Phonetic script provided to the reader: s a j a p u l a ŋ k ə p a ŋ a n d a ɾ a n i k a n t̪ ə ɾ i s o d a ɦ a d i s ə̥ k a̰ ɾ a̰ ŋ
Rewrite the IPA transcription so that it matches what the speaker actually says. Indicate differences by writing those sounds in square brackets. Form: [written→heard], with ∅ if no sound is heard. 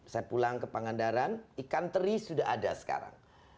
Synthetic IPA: s a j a p u l a ŋ k ə p a ŋ a n d a ɾ a n i k a n t̪ ə ɾ i s [o→u] d a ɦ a d [i→a] s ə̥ k a̰ ɾ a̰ ŋ